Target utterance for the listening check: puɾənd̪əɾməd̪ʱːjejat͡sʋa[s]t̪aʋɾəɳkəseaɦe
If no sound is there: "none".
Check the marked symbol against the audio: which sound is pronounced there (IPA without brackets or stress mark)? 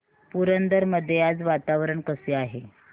none